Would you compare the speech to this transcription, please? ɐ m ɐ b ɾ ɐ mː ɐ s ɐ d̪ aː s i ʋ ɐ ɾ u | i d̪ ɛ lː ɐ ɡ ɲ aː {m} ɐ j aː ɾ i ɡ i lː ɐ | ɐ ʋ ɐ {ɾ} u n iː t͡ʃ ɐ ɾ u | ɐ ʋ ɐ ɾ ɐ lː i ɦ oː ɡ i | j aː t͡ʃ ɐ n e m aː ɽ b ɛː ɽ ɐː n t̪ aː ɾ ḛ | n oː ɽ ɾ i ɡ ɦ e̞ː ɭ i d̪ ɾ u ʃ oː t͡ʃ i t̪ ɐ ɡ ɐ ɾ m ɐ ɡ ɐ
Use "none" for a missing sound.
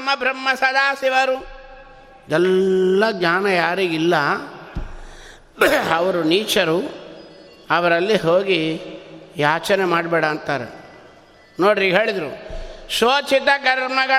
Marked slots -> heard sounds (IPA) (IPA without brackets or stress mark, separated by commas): n, ɾ